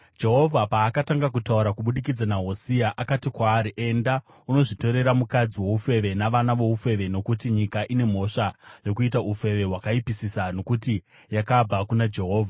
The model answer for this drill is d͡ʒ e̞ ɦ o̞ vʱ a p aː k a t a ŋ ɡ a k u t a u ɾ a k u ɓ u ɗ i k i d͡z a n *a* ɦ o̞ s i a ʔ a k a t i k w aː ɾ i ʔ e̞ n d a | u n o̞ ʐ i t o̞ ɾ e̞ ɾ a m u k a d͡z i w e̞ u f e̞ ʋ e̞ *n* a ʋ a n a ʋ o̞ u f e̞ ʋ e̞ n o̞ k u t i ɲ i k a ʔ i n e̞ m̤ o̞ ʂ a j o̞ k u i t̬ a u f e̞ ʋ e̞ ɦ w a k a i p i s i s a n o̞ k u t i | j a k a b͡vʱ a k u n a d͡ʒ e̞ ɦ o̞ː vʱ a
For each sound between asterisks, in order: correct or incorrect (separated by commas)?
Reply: correct, correct